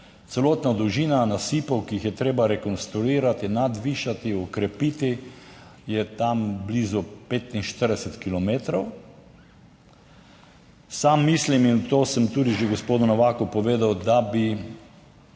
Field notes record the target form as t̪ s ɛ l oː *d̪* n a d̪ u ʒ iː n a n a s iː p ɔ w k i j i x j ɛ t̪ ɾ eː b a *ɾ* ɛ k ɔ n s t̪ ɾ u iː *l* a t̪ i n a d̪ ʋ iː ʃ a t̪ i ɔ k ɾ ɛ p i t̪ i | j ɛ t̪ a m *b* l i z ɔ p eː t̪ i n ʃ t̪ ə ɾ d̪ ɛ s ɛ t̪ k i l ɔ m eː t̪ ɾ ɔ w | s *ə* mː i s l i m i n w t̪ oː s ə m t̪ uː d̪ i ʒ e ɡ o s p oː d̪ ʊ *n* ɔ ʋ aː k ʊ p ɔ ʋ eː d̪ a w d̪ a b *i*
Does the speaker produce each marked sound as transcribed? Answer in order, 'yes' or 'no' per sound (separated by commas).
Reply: no, yes, no, yes, no, yes, yes